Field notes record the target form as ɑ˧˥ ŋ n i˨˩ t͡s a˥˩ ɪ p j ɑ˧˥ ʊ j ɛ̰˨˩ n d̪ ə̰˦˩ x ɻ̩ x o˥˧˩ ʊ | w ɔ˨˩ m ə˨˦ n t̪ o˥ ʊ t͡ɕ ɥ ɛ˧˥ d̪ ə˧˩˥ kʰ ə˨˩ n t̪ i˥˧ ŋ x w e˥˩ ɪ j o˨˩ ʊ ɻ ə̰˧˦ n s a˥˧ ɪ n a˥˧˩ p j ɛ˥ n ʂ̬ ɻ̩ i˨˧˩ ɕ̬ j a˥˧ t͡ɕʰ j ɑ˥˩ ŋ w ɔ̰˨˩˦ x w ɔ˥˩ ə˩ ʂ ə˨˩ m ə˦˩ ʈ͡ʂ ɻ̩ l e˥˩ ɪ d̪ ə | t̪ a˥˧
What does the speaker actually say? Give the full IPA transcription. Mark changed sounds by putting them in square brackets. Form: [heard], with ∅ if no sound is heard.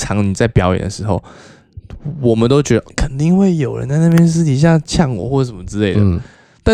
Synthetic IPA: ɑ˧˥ ŋ n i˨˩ t͡s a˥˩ ɪ p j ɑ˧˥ ʊ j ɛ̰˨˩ n d̪ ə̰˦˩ [ʂ] ɻ̩ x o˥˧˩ ʊ | w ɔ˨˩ m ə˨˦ n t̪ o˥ ʊ t͡ɕ ɥ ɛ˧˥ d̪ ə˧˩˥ kʰ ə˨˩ n t̪ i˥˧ ŋ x w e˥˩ ɪ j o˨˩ ʊ ɻ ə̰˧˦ n [t͡s] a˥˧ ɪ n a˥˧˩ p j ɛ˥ n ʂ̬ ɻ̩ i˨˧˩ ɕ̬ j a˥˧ t͡ɕʰ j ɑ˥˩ ŋ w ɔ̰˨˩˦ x w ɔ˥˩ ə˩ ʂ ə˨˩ m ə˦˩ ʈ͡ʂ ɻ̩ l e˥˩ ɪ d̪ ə | t̪ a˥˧